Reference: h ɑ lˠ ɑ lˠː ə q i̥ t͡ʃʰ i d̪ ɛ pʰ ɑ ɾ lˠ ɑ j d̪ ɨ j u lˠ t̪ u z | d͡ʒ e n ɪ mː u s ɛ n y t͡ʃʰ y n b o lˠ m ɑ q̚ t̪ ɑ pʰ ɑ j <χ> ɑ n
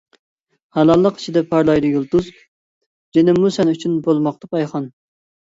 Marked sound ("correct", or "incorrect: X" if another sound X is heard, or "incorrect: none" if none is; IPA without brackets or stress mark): correct